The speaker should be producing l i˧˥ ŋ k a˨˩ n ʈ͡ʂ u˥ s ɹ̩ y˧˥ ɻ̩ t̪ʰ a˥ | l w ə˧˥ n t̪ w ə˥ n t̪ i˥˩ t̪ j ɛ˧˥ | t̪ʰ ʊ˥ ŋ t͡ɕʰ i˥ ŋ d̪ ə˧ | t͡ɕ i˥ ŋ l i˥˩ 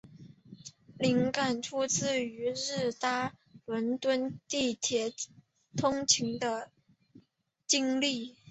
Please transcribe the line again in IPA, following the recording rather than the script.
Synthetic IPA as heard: l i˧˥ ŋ k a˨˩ n ʈ͡ʂʰ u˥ t͡s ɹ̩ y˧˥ ɻ̩ t̪ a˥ | l w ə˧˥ n t̪ w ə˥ n t̪ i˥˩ t̪ʰ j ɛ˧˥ | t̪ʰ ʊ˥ ŋ t͡ɕʰ i˧˥ ŋ d̪ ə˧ | t͡ɕ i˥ ŋ l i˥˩

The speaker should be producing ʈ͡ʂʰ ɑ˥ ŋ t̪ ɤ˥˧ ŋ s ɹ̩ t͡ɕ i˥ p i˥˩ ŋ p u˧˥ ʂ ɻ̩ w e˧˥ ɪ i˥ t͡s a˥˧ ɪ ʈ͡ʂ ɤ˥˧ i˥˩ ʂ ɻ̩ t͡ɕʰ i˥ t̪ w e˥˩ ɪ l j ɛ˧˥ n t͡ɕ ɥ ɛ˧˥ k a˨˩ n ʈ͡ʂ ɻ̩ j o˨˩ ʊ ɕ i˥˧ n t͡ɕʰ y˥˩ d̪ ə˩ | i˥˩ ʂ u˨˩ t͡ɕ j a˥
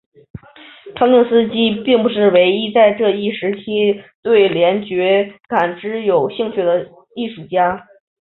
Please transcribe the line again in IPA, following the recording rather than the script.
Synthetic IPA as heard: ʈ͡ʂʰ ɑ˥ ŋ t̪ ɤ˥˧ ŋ s ɹ̩ t͡ɕ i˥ p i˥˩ ŋ p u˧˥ ʂ ɻ̩ w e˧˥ ɪ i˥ t͡s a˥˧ ɪ ʈ͡ʂ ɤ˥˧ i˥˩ ʂ ɻ̩ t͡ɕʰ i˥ t̪ w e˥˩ ɪ l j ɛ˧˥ n t͡ɕ ɥ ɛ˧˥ k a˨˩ n ʈ͡ʂ ɻ̩ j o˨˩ ʊ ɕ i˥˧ ŋ t͡ɕʰ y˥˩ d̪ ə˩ | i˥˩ ʂ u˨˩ t͡ɕ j a˥

